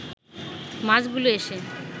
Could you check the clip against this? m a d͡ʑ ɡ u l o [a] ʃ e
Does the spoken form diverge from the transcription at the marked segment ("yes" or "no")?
yes